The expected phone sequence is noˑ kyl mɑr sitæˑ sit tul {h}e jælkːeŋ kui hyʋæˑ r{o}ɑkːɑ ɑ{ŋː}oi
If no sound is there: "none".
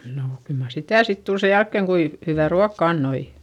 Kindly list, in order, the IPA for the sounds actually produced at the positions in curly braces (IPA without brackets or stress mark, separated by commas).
s, u, nː